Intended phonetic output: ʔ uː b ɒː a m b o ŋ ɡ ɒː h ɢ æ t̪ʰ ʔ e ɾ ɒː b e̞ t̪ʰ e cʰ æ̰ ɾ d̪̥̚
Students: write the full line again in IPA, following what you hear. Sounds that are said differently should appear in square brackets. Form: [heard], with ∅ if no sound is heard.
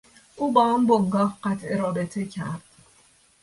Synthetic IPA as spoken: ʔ uː b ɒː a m b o ŋ ɡ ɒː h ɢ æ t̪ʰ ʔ e ɾ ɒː b e̞ t̪ʰ e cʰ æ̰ ɾ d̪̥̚